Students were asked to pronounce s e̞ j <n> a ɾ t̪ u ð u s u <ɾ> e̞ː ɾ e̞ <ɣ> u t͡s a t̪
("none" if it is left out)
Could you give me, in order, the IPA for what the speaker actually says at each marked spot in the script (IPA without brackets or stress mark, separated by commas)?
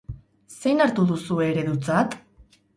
n, none, ð